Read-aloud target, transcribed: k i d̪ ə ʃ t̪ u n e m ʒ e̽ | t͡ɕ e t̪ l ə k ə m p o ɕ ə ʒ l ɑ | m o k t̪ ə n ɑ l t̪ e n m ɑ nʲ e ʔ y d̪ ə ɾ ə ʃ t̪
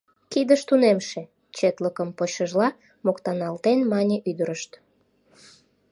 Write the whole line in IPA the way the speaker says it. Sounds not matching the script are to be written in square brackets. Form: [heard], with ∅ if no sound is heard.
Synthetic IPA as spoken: k i d̪ ə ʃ t̪ u n e m [ʃ] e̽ | t͡ɕ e t̪ l ə k ə m p o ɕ ə ʒ l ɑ | m o k t̪ [ɑ] n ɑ l t̪ e n m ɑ nʲ e ʔ y d̪ ə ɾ ə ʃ t̪